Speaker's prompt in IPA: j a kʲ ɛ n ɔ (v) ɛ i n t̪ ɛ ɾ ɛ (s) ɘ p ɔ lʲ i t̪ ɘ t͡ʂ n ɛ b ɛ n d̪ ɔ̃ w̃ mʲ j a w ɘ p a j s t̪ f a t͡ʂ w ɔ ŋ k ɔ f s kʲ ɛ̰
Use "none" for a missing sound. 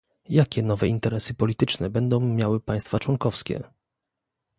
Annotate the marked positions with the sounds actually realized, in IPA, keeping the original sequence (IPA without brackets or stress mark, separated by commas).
v, s